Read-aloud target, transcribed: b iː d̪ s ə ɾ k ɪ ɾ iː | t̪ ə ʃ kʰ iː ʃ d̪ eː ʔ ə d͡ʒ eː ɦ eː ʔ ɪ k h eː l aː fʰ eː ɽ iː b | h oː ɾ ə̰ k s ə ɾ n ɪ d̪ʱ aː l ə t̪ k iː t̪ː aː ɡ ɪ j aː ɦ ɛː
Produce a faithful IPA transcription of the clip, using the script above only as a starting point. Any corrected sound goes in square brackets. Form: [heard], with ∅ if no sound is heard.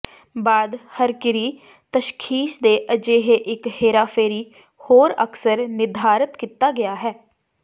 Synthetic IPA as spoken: b [aː] d̪ [h] ə ɾ k ɪ ɾ iː | t̪ ə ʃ kʰ iː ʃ d̪ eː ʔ ə d͡ʒ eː ɦ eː ʔ ɪ k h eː [ɾ] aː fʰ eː [ɾ] iː [∅] | h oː ɾ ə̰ k s ə ɾ n ɪ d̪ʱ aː [ɾ] ə t̪ k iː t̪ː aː ɡ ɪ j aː ɦ ɛː